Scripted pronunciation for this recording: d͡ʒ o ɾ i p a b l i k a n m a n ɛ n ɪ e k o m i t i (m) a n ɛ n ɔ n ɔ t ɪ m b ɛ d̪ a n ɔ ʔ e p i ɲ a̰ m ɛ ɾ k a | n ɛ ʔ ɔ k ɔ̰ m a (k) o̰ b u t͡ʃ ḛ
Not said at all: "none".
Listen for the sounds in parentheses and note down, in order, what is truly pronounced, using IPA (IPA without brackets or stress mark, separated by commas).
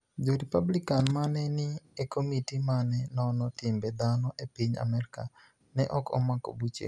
m, k